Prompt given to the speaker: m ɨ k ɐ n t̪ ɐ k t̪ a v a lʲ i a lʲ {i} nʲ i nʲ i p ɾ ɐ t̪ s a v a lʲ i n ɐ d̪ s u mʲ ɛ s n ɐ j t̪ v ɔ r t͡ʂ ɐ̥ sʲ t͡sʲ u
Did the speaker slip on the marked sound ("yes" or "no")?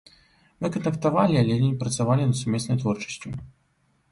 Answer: yes